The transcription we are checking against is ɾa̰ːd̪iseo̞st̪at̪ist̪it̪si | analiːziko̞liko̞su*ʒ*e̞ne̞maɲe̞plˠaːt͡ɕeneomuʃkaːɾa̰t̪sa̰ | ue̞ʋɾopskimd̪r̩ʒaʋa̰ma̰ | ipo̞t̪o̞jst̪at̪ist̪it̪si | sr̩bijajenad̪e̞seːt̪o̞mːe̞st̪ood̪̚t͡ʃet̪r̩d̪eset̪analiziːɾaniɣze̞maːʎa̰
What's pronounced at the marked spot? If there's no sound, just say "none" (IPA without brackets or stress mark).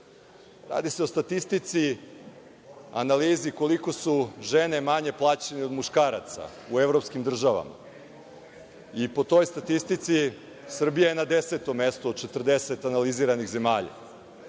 ʒ